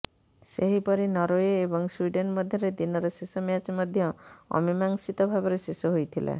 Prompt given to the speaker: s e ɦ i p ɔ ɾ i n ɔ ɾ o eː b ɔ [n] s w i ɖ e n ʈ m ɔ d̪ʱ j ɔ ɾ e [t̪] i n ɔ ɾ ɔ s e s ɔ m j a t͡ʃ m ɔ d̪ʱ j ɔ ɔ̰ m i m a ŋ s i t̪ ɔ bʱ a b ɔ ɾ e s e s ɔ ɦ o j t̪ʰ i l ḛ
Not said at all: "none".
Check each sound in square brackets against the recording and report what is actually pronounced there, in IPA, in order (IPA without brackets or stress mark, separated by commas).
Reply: ŋ, d̪